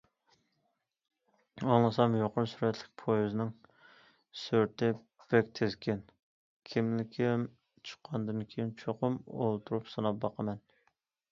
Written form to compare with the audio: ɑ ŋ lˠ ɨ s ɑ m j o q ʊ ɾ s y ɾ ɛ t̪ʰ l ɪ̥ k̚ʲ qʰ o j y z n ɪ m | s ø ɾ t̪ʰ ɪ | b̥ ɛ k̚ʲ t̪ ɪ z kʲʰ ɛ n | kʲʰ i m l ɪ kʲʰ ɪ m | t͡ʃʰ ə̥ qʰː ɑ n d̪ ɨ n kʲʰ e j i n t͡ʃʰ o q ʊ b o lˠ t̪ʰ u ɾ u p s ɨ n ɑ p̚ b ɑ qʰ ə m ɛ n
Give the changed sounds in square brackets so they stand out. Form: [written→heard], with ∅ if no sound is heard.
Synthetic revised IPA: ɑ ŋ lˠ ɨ s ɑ m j o q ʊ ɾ s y ɾ ɛ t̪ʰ l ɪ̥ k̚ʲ [qʰ→pʰ] o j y z n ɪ [m→ŋ] | s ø ɾ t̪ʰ ɪ | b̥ ɛ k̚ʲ [t̪→t̪ʰ] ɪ z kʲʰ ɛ n | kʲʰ i m l ɪ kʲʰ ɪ m | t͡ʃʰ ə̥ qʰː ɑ n d̪ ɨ n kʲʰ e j i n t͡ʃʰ o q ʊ [b→m] o lˠ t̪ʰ u ɾ u p s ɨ n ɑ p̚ b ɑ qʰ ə m ɛ n